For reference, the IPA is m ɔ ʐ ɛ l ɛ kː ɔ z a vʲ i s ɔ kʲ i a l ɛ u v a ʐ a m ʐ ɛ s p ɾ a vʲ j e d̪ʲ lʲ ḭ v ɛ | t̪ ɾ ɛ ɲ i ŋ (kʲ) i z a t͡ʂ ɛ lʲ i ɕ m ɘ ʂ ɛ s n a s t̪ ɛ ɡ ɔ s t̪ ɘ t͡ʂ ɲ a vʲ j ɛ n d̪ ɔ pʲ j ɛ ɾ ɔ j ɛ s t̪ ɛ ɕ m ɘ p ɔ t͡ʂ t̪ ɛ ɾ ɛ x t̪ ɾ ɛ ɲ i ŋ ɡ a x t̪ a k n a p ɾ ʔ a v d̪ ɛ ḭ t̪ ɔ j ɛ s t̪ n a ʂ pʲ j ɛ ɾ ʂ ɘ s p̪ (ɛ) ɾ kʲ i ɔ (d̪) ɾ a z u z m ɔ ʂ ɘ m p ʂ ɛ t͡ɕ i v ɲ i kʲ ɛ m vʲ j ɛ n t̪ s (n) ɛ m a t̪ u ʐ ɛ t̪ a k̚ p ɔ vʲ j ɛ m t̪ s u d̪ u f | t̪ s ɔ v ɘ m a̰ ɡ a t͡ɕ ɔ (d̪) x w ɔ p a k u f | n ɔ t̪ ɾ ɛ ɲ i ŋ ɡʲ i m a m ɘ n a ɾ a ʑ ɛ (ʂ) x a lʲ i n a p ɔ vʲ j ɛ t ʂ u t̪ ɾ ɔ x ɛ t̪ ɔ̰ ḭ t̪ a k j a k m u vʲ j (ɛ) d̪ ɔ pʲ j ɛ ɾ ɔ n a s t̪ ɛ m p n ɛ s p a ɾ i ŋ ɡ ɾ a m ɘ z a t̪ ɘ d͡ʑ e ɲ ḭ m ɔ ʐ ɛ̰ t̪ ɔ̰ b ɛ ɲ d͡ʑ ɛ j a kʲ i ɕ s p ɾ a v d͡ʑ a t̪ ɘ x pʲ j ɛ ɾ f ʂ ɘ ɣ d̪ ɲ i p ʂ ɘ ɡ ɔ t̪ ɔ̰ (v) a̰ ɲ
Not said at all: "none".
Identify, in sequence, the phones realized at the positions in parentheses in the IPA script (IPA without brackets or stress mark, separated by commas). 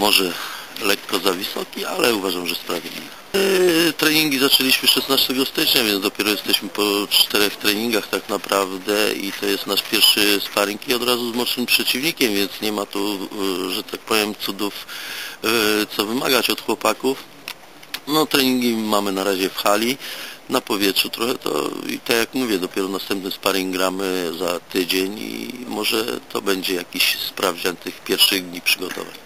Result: ɡʲ, a, d̪, ɲ, t̪, f, ɛ, v